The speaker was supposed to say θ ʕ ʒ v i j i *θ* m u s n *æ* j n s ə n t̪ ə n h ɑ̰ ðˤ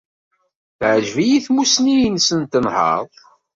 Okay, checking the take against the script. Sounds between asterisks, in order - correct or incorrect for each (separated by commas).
correct, incorrect